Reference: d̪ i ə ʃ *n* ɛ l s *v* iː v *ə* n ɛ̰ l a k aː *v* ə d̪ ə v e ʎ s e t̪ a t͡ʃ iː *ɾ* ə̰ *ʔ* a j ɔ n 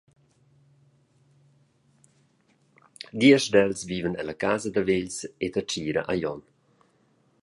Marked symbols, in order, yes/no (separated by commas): no, yes, yes, no, yes, yes